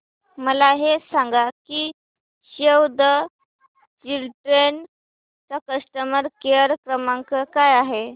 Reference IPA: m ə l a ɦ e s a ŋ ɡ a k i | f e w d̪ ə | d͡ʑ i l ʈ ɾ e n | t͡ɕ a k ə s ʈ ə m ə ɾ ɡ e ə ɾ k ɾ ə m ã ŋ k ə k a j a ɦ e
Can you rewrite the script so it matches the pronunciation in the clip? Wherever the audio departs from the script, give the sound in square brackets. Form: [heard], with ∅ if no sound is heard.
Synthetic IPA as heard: m ə l a ɦ e s a ŋ ɡ a k i | [ɕ] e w d̪ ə | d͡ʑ i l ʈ ɾ e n | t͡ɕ a k ə s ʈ ə m ə ɾ [k] e ə ɾ k ɾ ə m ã ŋ k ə k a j a ɦ e